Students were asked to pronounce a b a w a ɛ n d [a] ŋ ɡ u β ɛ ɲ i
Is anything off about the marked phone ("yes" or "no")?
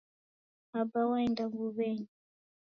no